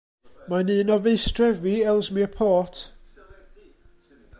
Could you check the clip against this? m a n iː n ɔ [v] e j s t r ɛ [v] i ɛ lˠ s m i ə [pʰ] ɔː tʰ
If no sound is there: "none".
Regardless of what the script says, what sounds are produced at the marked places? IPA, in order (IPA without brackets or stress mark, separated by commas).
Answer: v, v, pʰ